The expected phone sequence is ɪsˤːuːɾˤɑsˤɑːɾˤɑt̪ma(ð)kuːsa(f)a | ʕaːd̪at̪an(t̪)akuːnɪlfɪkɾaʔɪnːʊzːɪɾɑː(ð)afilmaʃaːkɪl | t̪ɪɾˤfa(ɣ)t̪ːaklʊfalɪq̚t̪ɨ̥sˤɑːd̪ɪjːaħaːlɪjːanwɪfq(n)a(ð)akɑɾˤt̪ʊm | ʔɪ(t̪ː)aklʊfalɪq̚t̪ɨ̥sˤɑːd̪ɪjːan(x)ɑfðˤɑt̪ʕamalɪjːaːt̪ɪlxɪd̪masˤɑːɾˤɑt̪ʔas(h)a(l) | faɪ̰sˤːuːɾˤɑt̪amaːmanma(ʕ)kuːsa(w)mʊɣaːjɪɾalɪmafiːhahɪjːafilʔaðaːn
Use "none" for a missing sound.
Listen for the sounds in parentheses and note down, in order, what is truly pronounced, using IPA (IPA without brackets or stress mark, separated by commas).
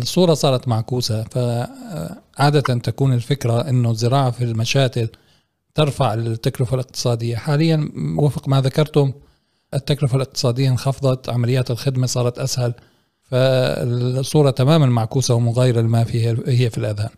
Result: ʕ, f, t̪, ʕ, ʕ, m, ð, t̪ː, x, h, l, ʕ, w